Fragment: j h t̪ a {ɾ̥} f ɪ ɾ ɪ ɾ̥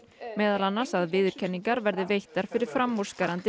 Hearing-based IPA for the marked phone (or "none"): ɾ̥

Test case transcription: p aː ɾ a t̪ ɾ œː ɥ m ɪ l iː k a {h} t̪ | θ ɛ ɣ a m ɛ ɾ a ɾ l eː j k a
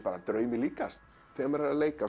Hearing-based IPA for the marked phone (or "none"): s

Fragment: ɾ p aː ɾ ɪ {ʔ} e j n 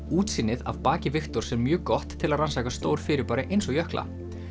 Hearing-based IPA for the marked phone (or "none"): ʔ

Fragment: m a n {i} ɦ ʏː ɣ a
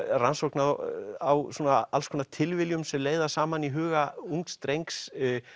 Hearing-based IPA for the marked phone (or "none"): i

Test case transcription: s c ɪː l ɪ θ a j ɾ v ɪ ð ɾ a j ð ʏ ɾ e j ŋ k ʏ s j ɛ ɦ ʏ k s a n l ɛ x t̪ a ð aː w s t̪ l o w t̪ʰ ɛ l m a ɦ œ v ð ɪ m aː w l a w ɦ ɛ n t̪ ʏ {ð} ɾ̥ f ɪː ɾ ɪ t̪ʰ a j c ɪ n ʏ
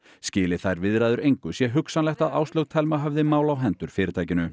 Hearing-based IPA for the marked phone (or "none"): none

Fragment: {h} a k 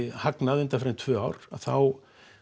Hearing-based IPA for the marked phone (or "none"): h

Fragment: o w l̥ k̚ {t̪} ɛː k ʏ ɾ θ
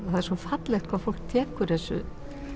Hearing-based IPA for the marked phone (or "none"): t̪ʰ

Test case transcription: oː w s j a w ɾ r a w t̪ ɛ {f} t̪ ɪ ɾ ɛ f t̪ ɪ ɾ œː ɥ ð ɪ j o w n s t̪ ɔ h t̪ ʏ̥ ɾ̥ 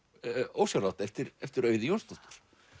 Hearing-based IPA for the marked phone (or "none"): f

